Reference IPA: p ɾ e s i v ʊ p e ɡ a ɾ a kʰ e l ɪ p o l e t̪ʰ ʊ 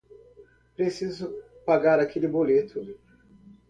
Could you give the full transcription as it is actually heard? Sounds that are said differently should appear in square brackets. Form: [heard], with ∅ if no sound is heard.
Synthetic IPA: p ɾ e s i [z] ʊ p [a] ɡ a ɾ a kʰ e l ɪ [b] o l e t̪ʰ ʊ